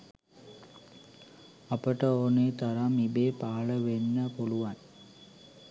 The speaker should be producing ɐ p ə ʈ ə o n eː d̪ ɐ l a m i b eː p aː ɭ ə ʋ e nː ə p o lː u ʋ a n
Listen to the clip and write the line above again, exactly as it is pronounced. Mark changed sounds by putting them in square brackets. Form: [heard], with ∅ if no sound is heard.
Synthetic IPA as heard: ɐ p ə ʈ ə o n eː [t̪] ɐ [ɾ] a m i b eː p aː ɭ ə ʋ e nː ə p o [l] u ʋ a n